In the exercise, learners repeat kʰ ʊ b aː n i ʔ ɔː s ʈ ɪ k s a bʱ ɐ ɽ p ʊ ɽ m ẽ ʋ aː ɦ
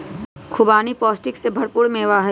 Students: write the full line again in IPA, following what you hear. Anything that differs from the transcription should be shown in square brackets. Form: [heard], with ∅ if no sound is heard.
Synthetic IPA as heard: kʰ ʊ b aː n i [p] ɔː s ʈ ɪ k s [e] bʱ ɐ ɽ p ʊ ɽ m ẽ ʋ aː ɦ